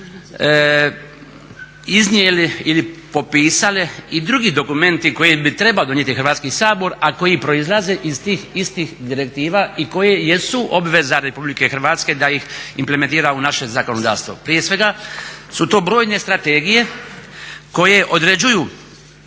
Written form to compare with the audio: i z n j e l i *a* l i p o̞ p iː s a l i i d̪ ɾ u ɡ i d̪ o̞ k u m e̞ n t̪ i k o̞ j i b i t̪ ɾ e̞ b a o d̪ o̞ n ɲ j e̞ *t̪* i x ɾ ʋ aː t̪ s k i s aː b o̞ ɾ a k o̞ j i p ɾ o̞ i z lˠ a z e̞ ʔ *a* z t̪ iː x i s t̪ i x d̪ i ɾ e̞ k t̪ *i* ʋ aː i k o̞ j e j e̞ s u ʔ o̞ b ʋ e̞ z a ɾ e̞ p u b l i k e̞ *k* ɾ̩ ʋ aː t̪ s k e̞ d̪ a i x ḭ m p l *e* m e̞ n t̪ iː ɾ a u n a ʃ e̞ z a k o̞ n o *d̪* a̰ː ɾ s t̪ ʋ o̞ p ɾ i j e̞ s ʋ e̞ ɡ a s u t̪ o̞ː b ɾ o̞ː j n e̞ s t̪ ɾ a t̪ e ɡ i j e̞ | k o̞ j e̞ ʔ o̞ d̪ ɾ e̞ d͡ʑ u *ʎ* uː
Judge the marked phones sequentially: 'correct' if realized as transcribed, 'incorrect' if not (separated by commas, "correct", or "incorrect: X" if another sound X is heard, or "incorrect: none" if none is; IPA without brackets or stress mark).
incorrect: i, correct, incorrect: i, incorrect: iː, incorrect: x, correct, correct, incorrect: j